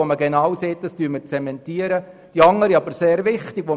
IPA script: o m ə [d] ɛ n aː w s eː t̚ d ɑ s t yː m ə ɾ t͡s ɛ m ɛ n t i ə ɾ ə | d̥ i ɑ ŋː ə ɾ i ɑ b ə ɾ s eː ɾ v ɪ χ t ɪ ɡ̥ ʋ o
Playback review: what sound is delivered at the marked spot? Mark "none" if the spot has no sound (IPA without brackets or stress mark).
ɡ